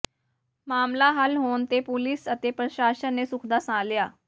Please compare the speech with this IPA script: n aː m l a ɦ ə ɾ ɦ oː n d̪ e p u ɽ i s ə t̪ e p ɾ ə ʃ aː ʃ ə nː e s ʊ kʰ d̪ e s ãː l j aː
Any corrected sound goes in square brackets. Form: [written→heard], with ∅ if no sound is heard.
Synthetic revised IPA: [n→m] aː m l a ɦ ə [ɾ→l] ɦ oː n [d̪→t̪] e p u [ɽ→l] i s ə t̪ e p ɾ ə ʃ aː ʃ ə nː e s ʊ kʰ d̪ [e→a] s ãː l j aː